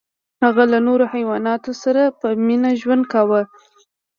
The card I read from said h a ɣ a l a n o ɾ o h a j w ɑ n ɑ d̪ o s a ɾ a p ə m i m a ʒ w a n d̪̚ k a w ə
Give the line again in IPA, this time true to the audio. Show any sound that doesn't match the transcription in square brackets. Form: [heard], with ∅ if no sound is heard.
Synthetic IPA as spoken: h a ɣ a l a n o ɾ o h a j w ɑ n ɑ [t̪] o s a ɾ a p ə m i [n] a ʒ w a n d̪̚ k a w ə

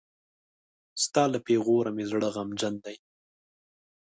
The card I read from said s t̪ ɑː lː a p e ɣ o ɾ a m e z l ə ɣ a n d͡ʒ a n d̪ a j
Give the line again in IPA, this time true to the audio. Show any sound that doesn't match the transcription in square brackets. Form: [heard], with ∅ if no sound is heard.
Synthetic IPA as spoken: s t̪ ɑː [l] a p e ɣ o ɾ a m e z [ɽ] ə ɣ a [m] d͡ʒ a n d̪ a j

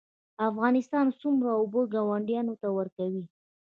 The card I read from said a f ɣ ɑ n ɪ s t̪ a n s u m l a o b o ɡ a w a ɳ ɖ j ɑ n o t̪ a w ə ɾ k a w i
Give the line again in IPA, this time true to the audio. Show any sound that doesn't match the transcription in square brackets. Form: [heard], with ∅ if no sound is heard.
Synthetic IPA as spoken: a f ɣ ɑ n ɪ s t̪ [ɑ] n s u m [ɾ] a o b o ɡ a w a ɳ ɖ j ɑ n o t̪ a w ə ɾ k a w i

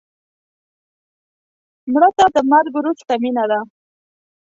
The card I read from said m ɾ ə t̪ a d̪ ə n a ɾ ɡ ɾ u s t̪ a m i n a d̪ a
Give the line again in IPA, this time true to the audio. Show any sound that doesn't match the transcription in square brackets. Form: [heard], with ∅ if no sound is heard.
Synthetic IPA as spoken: m [ɽ] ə t̪ a d̪ ə [m] a ɾ ɡ ɾ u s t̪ a m i n a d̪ a

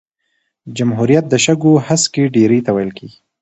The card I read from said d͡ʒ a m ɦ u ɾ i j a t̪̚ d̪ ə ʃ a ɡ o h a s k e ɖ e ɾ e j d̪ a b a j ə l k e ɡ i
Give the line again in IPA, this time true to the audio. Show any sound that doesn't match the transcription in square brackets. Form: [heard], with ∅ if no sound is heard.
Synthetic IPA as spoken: d͡ʒ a m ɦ u ɾ i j a t̪̚ d̪ ə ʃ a ɡ o h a s k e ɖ e ɾ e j [t̪] a [w] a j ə l k e ɡ i

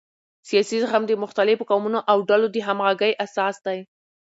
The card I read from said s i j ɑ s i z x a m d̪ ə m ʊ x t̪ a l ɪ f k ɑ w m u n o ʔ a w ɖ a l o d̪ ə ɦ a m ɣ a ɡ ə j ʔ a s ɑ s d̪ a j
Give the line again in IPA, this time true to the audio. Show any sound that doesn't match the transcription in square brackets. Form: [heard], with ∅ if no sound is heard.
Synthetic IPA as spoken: s i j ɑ s i z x a m d̪ ə m ʊ x t̪ a l ɪ f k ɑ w m u n o ʔ a w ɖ a l o d̪ ə ɦ a m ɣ a ɡ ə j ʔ a s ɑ s d̪ a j

